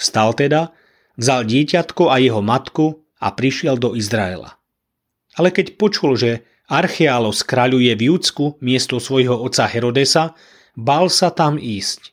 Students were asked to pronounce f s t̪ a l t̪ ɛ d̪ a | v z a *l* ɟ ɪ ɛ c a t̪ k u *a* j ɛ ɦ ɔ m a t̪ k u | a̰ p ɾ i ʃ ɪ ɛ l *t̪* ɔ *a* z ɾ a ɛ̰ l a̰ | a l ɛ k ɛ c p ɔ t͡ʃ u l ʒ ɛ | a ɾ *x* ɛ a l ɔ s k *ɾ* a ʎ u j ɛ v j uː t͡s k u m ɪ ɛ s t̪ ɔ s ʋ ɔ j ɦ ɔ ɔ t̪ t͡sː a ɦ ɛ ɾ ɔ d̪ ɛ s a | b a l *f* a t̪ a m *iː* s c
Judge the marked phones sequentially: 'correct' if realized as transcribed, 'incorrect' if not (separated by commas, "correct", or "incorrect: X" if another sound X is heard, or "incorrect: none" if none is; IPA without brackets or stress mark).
correct, correct, incorrect: d̪, incorrect: i, correct, correct, incorrect: s, correct